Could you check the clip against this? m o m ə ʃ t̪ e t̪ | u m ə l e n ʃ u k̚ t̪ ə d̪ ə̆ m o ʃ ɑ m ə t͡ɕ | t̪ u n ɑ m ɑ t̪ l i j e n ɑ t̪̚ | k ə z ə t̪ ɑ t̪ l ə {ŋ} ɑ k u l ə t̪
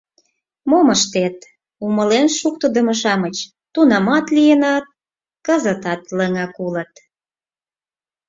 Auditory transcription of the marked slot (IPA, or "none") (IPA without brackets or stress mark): ŋ